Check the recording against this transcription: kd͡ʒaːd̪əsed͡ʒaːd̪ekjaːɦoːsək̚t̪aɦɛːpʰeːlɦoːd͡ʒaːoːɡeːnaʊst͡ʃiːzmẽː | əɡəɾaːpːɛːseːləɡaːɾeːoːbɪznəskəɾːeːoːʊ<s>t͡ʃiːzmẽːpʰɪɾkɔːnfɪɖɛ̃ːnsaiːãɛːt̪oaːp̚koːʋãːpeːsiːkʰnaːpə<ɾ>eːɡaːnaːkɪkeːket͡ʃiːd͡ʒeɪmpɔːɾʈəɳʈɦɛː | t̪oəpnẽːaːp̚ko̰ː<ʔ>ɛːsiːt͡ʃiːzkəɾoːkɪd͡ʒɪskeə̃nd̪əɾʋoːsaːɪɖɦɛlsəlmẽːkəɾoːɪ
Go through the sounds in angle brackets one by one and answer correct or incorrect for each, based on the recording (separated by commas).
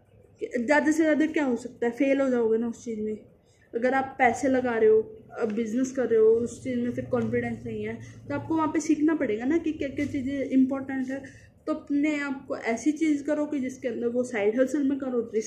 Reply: correct, incorrect, correct